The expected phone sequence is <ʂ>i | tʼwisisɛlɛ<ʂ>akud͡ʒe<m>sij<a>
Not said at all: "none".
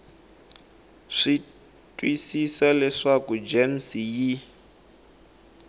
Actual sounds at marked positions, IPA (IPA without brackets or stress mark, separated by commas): ʂ, ʂ, m, i